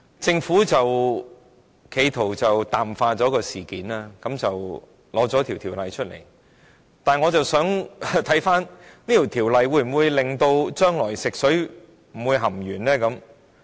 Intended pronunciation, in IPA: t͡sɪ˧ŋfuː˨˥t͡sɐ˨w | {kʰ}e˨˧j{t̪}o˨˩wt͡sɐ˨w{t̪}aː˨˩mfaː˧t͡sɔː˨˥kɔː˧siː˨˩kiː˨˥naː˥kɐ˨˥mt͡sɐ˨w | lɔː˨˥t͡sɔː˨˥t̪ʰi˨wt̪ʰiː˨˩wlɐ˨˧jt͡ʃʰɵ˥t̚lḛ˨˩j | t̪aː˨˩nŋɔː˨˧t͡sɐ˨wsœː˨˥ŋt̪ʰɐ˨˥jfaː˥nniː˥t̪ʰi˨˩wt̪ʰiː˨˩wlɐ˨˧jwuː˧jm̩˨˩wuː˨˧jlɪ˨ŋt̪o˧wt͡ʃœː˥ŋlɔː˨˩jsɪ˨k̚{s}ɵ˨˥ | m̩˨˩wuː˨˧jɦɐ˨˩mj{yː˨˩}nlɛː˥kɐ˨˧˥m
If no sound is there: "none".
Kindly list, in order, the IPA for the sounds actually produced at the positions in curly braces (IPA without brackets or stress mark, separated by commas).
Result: kʰ, t̪ʰ, t̪, s, yː˨˩